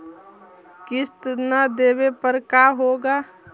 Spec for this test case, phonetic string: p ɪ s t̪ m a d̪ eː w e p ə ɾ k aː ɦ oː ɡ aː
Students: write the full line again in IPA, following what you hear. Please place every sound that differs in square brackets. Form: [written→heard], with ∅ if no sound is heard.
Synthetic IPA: [p→k] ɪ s t̪ [m→n] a d̪ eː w e p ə ɾ k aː ɦ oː ɡ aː